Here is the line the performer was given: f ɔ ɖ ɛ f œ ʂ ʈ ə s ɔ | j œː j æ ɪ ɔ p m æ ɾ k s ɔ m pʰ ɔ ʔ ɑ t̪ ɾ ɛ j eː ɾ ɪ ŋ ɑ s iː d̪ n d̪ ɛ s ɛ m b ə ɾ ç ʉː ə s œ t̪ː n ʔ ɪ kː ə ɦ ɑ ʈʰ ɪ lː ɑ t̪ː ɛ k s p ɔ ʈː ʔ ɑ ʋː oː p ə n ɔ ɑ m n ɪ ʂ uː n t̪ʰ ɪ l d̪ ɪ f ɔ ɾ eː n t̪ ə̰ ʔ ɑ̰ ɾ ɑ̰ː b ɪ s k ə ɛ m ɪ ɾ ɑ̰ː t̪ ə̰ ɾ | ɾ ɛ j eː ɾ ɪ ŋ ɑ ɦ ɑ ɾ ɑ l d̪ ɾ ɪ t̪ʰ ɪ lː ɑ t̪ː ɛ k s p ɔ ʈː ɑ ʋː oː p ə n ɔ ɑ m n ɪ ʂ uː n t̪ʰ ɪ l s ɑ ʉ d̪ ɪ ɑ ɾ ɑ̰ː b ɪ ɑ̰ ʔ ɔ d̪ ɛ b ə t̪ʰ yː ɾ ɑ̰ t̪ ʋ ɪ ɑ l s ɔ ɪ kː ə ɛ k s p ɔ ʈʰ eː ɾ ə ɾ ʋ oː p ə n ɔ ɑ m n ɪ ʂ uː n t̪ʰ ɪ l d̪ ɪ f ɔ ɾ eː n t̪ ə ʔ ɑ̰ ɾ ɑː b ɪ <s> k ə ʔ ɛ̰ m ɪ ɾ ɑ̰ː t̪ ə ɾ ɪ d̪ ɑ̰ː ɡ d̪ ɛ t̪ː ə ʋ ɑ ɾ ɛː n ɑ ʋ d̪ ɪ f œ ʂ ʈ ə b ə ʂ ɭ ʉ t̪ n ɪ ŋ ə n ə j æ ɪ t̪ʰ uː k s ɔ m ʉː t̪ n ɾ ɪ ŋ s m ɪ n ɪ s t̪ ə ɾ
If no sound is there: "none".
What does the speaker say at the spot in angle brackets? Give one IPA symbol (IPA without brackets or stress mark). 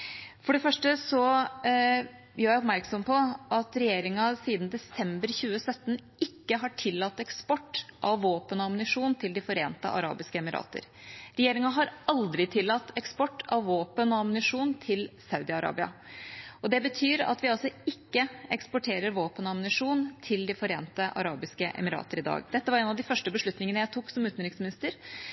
s